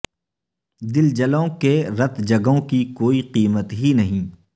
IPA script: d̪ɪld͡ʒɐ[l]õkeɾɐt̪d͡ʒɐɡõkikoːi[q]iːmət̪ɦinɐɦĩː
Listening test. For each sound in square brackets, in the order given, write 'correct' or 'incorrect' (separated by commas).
correct, correct